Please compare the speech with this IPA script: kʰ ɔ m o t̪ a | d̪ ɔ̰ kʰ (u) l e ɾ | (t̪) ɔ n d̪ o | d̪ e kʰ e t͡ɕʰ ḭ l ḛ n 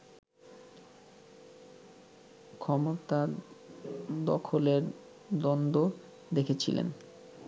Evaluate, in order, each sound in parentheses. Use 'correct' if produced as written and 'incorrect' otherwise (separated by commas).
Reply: incorrect, incorrect